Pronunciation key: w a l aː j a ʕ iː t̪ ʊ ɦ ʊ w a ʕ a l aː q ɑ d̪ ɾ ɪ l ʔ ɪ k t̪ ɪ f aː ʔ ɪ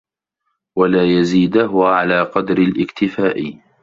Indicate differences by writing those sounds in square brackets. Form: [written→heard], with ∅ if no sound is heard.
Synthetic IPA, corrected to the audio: w a l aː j a [ʕ→z] iː [t̪→d̪] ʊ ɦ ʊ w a ʕ a l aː q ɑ d̪ ɾ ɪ l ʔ ɪ k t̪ ɪ f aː ʔ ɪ